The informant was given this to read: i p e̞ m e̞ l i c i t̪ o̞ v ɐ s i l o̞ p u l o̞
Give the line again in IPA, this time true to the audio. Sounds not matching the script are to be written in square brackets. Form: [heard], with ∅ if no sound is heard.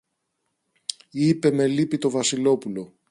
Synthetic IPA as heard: i p e̞ m e̞ l i [p] i t̪ o̞ v ɐ s i l o̞ p u l o̞